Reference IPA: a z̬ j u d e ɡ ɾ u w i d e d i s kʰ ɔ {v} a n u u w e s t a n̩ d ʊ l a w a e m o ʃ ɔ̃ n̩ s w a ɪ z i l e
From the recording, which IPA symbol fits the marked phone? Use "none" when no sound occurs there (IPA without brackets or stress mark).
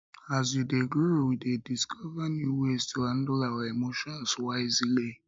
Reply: v